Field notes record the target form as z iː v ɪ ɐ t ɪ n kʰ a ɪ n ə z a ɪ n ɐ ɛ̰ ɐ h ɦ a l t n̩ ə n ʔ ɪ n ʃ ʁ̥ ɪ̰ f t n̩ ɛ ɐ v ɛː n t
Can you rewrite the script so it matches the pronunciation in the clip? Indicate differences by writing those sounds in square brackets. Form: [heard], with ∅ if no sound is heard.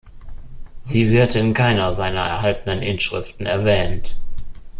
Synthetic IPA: z iː v ɪ ɐ t ɪ n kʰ a ɪ n [ɐ] z a ɪ n ɐ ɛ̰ ɐ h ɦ a l t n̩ ə n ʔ ɪ n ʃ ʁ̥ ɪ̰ f t n̩ ɛ ɐ v ɛː n t